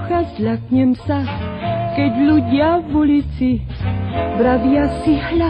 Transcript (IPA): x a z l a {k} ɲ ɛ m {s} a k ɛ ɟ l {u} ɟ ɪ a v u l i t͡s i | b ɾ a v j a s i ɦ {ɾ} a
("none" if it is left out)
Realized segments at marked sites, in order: k, s, u, l

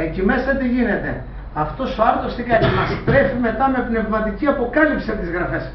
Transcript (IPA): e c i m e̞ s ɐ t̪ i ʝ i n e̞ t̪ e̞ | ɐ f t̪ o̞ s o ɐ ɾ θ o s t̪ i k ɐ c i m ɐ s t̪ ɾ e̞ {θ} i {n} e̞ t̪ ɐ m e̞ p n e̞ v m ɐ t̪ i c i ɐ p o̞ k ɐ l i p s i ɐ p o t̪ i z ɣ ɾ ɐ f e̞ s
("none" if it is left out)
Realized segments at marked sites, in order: f, m

